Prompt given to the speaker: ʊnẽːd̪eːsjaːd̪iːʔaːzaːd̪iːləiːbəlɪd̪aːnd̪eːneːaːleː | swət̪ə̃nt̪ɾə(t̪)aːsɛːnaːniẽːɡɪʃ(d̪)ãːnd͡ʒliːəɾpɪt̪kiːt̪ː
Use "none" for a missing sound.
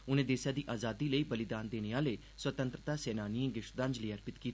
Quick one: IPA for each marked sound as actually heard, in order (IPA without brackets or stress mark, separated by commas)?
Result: t̪, d̪